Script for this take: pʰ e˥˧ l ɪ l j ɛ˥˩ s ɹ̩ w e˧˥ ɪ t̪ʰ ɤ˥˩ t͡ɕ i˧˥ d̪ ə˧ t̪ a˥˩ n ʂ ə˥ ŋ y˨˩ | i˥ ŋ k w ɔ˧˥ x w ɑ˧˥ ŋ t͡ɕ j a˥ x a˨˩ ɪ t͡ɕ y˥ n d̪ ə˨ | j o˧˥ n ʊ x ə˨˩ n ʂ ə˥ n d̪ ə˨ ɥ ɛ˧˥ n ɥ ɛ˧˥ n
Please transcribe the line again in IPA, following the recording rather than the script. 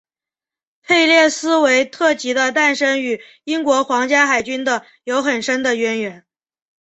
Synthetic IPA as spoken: pʰ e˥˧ ɪ l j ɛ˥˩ s ɹ̩ w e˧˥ ɪ t̪ʰ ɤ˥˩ t͡ɕ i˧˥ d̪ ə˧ t̪ a˥˩ n ʂ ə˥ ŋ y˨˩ | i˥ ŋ k w ɔ˧˥ x w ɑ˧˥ ŋ t͡ɕ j a˥ x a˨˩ ɪ t͡ɕ y˥ n d̪ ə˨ | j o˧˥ ʊ x ə˨˩ n ʂ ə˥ n d̪ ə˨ ɥ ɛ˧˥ n ɥ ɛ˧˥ n